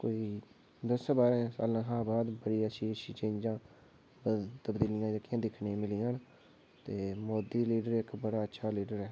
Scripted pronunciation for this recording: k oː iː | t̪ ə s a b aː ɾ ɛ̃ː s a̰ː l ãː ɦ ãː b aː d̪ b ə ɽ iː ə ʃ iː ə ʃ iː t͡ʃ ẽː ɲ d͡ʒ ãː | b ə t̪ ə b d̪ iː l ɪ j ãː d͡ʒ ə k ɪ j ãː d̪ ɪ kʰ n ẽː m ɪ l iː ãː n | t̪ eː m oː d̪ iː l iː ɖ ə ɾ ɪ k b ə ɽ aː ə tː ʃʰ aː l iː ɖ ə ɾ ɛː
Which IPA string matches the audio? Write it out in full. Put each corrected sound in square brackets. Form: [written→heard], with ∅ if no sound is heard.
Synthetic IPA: k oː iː | [t̪→d̪] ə s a b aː ɾ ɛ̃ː s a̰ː l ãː ɦ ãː b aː d̪ b ə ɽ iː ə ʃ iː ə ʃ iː t͡ʃ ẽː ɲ d͡ʒ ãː | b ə t̪ ə b d̪ iː l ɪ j ãː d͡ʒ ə k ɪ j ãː d̪ ɪ kʰ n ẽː m ɪ l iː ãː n | t̪ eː m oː d̪ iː l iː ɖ ə ɾ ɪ k b ə ɽ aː ə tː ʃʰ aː l iː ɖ ə ɾ ɛː